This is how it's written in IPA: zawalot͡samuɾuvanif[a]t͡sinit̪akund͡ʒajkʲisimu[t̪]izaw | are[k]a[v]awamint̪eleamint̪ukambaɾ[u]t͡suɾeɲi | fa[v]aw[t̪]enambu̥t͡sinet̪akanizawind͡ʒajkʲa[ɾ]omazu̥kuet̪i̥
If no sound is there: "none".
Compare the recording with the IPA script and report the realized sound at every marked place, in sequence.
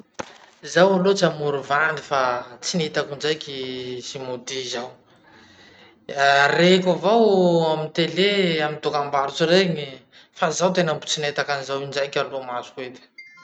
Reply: a, d̪, k, v, u, z, t̪, l

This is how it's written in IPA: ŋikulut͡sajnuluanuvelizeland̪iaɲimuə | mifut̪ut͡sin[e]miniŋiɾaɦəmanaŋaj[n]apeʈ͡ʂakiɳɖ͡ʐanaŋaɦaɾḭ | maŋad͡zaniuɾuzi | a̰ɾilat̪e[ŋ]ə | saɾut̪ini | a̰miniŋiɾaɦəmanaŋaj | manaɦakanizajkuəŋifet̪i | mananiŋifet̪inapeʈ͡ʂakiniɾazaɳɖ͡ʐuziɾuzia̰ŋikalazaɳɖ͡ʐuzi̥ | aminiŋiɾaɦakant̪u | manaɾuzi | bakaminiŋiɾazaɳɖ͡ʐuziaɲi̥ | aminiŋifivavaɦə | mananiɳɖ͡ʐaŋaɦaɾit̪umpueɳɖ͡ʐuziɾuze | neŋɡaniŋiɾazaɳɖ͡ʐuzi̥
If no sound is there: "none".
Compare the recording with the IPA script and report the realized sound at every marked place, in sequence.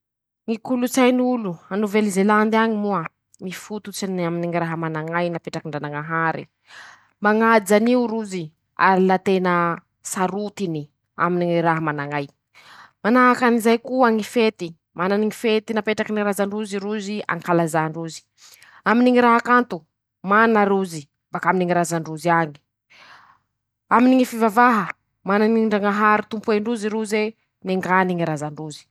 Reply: a, n, n

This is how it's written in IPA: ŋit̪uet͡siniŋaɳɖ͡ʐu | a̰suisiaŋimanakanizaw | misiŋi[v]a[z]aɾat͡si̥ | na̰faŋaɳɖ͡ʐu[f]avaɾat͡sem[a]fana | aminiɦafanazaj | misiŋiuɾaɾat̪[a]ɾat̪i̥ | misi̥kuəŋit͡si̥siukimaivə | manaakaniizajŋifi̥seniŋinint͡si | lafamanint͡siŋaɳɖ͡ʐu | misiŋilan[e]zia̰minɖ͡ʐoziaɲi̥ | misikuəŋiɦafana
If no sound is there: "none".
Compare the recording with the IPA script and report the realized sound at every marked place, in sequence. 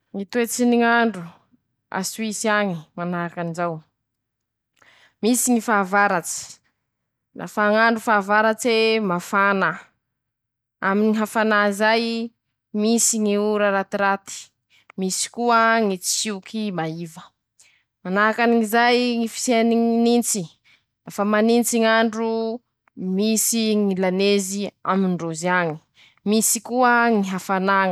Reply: f, v, f, a, i, e

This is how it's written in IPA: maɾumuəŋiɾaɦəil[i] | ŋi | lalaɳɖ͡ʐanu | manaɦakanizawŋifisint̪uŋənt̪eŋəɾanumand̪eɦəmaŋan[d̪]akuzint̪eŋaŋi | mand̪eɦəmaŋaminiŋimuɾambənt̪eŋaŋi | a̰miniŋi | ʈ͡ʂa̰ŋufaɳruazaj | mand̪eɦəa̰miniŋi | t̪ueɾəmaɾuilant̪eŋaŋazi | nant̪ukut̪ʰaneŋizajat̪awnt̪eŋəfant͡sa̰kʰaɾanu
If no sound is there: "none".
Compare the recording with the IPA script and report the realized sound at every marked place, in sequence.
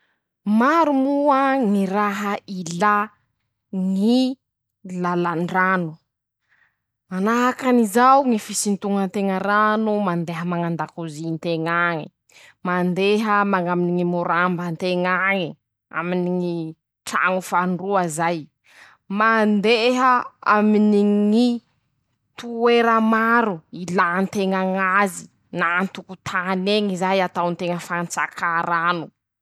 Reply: a, d̪

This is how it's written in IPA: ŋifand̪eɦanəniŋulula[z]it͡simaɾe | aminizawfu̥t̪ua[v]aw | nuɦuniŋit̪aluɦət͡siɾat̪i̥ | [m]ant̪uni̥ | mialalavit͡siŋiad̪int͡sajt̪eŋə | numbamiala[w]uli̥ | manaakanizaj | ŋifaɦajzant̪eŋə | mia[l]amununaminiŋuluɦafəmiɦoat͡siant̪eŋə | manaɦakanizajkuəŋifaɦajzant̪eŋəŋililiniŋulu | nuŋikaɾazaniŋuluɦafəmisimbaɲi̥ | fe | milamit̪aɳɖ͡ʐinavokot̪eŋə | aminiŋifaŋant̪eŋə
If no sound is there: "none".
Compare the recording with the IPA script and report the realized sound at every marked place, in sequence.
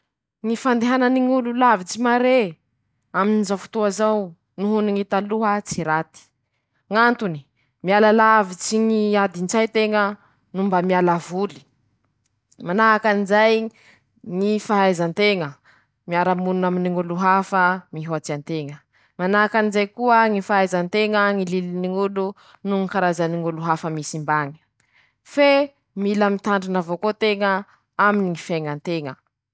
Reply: v, z, ŋ, v, ɾ

